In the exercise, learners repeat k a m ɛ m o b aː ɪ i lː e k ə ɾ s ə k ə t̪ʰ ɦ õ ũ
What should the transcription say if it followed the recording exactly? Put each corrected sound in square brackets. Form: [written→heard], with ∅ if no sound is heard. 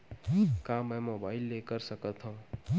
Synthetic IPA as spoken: k a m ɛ m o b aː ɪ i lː e k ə ɾ s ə k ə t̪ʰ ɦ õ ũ